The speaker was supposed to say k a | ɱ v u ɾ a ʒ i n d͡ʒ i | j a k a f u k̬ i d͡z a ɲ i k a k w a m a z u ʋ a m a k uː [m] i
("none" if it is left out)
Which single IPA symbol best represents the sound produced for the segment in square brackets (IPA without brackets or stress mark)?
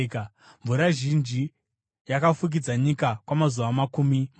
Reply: m